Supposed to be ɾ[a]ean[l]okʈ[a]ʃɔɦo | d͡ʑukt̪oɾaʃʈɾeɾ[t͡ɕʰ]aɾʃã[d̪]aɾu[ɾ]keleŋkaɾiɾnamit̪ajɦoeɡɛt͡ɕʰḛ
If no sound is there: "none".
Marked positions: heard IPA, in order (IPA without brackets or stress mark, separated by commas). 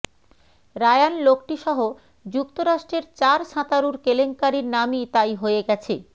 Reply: a, l, i, t͡ɕ, t̪, ɾ